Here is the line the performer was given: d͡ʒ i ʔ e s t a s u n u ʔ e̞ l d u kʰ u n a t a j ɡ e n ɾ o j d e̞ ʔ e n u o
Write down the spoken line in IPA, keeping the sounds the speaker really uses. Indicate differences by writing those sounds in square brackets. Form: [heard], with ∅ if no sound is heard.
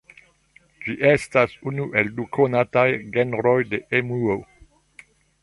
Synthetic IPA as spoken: d͡ʒ i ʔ e s t a s u n u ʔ e̞ l d u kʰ [o] n a t a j ɡ e n ɾ o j d e̞ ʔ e [m] u o